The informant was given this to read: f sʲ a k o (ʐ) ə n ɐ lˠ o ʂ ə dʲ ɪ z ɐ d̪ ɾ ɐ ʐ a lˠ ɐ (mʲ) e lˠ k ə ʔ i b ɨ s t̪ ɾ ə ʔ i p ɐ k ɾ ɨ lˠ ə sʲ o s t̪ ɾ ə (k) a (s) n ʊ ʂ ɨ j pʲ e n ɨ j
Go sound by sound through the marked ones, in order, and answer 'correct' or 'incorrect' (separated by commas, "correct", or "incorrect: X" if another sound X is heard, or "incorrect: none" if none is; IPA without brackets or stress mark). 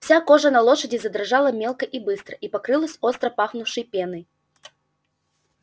correct, correct, incorrect: p, incorrect: x